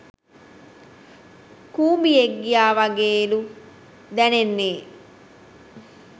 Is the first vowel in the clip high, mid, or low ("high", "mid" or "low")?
high